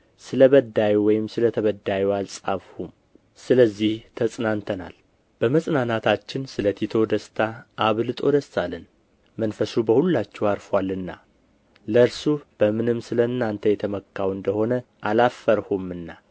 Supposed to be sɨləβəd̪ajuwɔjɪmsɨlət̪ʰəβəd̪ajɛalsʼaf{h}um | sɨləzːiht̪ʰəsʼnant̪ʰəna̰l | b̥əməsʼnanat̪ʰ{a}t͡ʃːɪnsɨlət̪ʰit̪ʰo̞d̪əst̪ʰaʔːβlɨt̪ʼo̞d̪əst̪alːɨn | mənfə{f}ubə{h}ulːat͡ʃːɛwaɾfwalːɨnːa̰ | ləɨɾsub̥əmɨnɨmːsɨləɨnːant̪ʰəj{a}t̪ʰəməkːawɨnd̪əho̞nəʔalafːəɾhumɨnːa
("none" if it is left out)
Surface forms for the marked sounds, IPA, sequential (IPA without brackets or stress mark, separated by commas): h, a, s, h, ɛ